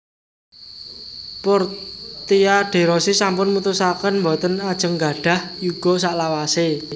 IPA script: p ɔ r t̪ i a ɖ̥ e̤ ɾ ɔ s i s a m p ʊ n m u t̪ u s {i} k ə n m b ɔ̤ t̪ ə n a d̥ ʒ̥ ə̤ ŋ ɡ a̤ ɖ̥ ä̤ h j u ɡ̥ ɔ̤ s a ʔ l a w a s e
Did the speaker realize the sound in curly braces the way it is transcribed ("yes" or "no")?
no